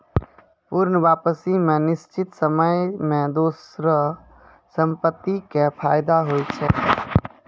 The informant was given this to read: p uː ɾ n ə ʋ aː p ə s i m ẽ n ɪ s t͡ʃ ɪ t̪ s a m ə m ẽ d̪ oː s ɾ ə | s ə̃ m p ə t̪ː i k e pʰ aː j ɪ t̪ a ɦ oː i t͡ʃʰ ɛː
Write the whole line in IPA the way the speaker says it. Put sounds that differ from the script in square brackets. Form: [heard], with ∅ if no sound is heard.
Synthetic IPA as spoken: p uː ɾ n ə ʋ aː p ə s i m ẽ n ɪ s t͡ʃ ɪ t̪ s [ə] m ə m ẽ d̪ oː s ɾ ə | s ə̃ m p ə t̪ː i k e pʰ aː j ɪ [d̪] a ɦ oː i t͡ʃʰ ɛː